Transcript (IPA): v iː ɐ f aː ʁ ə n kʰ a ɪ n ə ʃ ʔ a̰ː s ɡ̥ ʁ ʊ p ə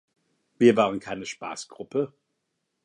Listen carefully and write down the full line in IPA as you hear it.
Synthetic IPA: v iː ɐ v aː ʁ ə n kʰ a ɪ n ə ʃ p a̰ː s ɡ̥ ʁ ʊ p ə